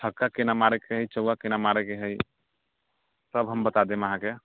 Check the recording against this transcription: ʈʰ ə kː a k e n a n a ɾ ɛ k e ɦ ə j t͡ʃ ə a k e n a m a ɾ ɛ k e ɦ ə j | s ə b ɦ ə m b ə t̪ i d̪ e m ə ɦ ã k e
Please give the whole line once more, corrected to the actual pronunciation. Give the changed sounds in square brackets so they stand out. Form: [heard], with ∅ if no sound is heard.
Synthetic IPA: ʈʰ ə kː a k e n a [m] a ɾ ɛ k e ɦ ə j t͡ʃ ə a k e n a m a ɾ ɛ k e ɦ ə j | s ə b ɦ ə m b ə t̪ [a] d̪ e m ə ɦ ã k e